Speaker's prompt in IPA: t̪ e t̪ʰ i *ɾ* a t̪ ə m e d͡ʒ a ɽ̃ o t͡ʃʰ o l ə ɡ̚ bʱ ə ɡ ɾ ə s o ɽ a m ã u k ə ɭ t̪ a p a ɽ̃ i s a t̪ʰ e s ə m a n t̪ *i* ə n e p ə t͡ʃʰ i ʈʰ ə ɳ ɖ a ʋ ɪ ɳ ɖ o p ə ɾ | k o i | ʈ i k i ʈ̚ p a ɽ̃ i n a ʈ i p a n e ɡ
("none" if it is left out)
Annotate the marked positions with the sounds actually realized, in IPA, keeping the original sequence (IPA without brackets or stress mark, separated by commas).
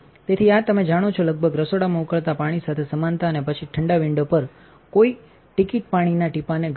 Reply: none, a